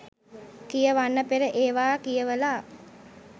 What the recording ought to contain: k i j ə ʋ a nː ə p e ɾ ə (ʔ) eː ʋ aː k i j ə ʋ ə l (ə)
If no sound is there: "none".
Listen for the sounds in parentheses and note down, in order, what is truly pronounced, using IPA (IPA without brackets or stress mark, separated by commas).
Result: ʔ, a